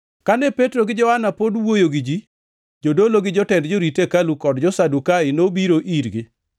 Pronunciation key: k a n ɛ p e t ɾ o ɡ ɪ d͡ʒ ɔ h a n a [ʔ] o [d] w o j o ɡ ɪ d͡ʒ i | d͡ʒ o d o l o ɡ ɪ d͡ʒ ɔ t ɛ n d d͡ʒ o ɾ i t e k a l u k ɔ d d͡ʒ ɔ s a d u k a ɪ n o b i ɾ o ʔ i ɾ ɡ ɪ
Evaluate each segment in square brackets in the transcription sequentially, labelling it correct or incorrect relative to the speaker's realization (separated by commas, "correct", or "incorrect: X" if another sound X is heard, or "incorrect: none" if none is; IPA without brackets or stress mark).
incorrect: p, correct